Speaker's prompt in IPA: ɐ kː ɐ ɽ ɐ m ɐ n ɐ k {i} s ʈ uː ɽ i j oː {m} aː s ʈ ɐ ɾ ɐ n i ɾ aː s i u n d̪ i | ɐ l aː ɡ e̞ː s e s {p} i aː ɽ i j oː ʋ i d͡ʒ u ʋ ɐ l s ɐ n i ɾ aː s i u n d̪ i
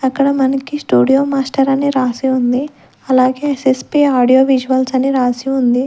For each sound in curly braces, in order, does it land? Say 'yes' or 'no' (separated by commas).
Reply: yes, yes, yes